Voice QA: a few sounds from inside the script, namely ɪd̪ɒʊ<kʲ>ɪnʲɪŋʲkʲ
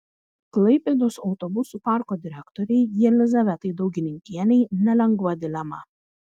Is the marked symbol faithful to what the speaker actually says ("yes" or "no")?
no